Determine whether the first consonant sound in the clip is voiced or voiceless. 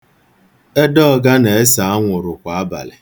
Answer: voiced